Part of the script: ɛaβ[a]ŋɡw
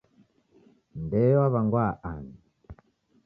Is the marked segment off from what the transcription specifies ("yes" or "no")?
no